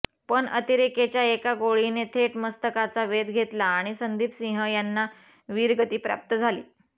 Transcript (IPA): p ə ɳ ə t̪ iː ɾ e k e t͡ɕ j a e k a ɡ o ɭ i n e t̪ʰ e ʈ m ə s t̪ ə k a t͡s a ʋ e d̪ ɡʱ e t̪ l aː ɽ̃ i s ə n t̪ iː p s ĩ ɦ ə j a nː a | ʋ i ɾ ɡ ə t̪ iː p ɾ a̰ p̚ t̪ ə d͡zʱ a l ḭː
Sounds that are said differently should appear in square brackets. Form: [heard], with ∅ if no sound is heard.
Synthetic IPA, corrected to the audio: p ə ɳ ə t̪ [i] ɾ e k e t͡ɕ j a e k a ɡ o ɭ i n e t̪ʰ e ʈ m ə s t̪ ə k a t͡s a ʋ e d̪ ɡʱ e t̪ l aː ɽ̃ i s ə n [d̪] iː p s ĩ ɦ ə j a nː a | ʋ i ɾ ɡ ə t̪ iː p ɾ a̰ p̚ t̪ ə d͡zʱ a l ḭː